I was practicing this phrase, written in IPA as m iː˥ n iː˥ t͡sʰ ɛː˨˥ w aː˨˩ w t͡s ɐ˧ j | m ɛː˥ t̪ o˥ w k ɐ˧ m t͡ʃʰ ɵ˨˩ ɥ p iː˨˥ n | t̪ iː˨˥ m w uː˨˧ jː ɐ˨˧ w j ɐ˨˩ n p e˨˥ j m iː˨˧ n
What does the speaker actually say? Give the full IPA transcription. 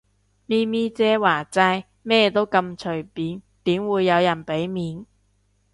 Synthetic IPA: m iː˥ m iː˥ t͡s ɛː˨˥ w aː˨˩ t͡s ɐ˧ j | m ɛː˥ t̪ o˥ w k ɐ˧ m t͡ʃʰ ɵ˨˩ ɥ p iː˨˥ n | t̪ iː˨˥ m w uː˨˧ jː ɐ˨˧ w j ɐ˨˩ n p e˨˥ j m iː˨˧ n